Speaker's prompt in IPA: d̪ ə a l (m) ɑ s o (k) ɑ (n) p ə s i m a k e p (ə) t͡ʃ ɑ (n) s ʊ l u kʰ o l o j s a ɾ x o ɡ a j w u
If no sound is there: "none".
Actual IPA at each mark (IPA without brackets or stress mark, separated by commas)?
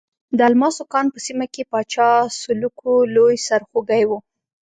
m, k, n, ɑ, none